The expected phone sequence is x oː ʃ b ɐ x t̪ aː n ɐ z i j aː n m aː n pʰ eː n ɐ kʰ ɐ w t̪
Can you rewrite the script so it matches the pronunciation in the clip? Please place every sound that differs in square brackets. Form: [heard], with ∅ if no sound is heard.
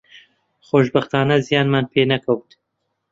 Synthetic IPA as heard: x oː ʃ b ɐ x t̪ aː n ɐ z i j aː n m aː n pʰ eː n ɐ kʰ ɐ w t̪